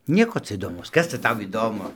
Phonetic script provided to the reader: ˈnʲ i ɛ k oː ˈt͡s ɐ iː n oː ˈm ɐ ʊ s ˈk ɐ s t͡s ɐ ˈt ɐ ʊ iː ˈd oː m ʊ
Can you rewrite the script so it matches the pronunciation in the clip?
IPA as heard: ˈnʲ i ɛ k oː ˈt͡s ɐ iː d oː ˈm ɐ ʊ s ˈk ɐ s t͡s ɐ ˈt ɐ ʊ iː ˈd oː m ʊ